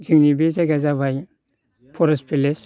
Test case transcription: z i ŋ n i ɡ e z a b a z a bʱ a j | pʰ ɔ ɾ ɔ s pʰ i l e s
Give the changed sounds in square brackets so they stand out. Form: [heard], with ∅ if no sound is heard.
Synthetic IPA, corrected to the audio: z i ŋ n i [b] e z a [ɡ] a z a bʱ a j | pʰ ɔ ɾ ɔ s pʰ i l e s